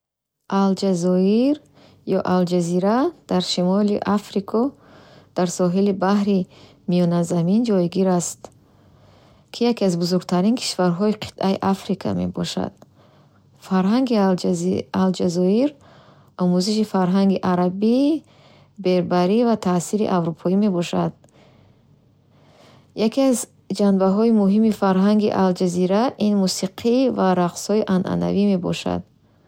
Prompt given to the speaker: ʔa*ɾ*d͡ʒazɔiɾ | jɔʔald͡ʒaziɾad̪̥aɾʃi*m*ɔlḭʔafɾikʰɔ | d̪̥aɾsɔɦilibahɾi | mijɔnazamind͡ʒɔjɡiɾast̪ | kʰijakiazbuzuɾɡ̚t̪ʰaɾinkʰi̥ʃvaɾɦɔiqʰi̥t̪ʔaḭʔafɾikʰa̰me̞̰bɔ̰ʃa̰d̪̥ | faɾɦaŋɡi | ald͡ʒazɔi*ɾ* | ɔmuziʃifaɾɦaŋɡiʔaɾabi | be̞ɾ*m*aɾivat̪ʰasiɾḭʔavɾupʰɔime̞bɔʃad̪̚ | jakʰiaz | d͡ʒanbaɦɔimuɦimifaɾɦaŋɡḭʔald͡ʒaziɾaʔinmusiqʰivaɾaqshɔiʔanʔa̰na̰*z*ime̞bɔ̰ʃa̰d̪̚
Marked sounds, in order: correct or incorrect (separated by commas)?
incorrect, correct, correct, incorrect, incorrect